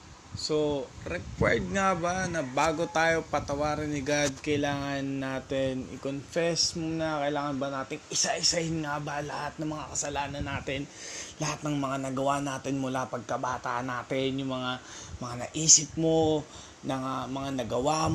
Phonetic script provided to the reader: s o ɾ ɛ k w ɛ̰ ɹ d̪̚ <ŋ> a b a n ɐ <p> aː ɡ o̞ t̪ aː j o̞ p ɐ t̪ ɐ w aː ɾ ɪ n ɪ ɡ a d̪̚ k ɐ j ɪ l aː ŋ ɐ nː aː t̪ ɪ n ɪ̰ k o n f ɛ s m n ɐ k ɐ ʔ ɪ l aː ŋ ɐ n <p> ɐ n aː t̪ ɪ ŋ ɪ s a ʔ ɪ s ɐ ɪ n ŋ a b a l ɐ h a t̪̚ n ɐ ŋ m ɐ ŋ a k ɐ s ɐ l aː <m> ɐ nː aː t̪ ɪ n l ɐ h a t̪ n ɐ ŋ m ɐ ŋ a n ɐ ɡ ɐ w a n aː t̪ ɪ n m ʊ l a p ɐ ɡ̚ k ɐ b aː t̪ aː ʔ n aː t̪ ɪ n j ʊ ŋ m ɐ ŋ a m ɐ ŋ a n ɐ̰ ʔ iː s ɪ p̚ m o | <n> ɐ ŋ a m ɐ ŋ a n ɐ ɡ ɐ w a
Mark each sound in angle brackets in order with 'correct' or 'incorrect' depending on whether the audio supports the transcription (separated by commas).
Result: correct, incorrect, incorrect, incorrect, correct